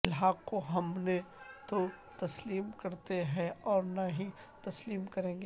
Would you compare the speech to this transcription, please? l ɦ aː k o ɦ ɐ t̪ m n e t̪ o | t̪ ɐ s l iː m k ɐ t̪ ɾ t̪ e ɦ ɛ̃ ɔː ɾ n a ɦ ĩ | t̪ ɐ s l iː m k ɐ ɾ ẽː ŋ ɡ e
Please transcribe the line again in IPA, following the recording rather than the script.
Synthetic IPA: l ɦ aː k o ɦ ɐ m n e t̪ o | t̪ ɐ s l iː m k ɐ ɾ t̪ e ɦ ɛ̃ ɔː ɾ n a ɦ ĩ | t̪ ɐ s l iː m k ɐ ɾ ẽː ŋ ɡ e